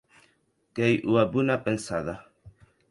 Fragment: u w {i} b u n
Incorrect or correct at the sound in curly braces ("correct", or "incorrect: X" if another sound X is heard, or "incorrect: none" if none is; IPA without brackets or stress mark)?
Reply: incorrect: a